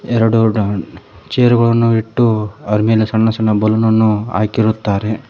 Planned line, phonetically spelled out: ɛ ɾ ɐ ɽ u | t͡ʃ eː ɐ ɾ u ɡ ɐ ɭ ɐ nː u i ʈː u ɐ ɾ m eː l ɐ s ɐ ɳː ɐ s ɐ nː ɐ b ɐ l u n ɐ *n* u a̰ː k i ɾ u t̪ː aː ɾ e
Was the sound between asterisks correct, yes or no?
no